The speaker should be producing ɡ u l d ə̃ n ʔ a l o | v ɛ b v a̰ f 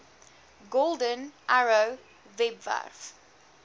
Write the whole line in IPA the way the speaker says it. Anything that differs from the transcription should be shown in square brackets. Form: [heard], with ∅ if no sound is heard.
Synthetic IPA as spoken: ɡ [o] l d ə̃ n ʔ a [ɹ] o | v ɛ b v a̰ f